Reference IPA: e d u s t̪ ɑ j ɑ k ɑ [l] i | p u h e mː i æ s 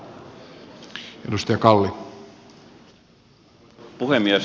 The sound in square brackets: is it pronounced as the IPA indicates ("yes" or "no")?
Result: no